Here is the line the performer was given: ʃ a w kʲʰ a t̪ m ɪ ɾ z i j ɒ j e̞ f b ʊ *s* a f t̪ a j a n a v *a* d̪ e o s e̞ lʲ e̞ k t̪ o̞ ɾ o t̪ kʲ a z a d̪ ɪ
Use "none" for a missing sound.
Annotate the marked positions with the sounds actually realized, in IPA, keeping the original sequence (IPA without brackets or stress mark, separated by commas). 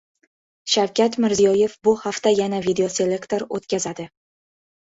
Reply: h, i